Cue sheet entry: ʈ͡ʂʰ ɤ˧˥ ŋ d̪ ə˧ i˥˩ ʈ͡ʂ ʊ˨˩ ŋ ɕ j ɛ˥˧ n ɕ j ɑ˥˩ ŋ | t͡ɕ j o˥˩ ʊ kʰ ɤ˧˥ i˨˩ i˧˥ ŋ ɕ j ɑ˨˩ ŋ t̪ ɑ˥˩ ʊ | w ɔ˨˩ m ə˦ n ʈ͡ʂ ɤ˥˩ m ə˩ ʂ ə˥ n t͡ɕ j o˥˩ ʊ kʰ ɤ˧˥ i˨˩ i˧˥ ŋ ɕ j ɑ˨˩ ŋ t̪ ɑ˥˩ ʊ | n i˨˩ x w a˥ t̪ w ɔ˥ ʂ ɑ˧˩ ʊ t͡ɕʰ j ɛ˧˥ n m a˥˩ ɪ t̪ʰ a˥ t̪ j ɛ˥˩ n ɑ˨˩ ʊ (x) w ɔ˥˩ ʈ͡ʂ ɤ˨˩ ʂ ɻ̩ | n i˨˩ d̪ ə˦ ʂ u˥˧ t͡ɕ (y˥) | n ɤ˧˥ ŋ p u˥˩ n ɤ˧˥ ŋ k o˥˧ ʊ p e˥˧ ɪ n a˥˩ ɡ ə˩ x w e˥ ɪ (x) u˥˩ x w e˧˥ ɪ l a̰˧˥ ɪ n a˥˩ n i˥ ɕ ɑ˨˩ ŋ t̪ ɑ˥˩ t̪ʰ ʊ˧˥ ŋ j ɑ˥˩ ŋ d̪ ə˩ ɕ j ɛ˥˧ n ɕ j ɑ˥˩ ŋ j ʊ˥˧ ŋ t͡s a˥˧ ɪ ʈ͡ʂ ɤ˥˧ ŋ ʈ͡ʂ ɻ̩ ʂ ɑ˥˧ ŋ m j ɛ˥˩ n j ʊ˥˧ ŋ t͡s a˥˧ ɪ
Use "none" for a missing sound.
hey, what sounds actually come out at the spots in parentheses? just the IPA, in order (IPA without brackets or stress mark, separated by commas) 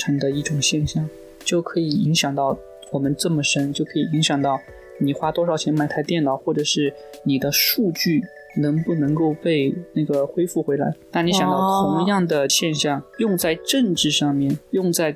x, y˥˩, f